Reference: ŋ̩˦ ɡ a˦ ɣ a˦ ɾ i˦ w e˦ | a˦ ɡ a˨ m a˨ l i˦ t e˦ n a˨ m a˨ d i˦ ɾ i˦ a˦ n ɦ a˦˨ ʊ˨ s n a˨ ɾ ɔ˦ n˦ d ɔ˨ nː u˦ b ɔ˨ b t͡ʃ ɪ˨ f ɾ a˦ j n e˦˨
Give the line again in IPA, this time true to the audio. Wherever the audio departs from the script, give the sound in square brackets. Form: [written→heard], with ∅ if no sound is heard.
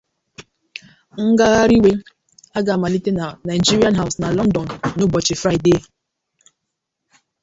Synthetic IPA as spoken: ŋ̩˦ ɡ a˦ ɣ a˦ ɾ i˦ w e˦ | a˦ ɡ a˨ m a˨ l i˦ t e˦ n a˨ [m→n] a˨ [d→d͡ʒ] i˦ ɾ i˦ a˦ n ɦ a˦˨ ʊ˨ s n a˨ [ɾ→l] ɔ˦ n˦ d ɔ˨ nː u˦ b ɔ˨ [b→∅] t͡ʃ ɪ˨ f ɾ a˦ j [n→d] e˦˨